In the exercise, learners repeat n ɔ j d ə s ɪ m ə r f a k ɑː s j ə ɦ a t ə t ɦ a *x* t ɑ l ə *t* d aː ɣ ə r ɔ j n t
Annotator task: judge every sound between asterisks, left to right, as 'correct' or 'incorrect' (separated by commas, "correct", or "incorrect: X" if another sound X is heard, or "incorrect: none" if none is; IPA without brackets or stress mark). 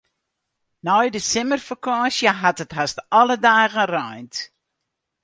incorrect: s, incorrect: none